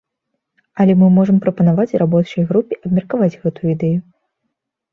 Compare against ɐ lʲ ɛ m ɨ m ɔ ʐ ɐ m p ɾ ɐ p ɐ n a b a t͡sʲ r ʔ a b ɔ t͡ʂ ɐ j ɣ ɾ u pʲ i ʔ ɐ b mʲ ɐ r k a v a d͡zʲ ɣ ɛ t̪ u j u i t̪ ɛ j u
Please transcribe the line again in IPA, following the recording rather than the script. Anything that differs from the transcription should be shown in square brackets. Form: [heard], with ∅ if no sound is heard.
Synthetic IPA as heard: ɐ lʲ ɛ m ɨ m ɔ ʐ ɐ m p ɾ ɐ p ɐ n a [v] a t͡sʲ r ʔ a b ɔ t͡ʂ ɐ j ɣ ɾ u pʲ i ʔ ɐ b mʲ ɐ r k a v a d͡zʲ ɣ ɛ t̪ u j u i [d̪] ɛ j u